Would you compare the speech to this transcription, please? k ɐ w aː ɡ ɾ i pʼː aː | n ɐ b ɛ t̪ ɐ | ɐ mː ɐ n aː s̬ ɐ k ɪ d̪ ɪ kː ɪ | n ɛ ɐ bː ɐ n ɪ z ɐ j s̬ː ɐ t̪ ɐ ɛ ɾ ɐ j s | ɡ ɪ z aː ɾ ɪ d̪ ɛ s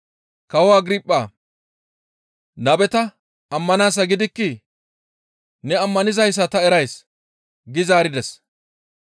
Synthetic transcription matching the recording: k ɐ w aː ɡ ɾ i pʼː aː | n ɐ b ɛ t̪ ɐ | ɐ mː ɐ n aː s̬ ɐ ɡ ɪ d̪ ɪ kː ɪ | n ɛ ɐ mː ɐ n ɪ z ɐ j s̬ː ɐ t̪ ɐ ɛ ɾ ɐ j s | ɡ ɪ z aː ɾ ɪ d̪ ɛ s